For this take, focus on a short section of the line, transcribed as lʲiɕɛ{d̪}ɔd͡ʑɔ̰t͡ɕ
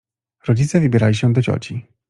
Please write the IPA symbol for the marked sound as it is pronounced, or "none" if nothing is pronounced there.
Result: d̪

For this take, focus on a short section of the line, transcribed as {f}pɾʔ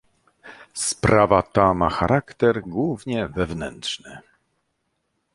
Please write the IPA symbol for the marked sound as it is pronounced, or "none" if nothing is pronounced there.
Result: s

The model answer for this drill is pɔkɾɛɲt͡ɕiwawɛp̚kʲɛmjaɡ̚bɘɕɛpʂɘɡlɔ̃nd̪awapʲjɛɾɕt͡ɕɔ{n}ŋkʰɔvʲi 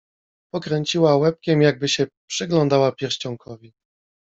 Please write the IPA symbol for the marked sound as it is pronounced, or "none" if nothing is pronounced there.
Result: none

